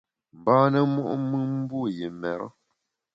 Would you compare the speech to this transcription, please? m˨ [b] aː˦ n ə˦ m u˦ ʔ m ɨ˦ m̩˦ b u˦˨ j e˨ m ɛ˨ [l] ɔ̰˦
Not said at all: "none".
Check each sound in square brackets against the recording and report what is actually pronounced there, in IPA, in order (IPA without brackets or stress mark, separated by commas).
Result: b, ɾ